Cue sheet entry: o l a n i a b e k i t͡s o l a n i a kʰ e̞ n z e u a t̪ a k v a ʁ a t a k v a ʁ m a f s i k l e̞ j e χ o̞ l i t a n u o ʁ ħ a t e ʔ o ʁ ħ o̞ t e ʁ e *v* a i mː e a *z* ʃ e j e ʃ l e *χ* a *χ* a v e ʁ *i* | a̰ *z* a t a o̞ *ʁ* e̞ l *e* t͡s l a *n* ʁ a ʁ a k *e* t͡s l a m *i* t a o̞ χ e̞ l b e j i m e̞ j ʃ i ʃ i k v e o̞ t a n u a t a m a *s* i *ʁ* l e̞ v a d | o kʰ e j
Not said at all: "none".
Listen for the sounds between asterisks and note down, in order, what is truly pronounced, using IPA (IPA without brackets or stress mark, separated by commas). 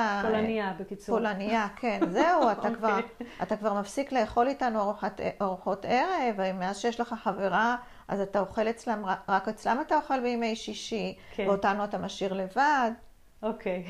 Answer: v, z, χ, ħ, a, z, χ, e, m, e, a, ʃ, ʁ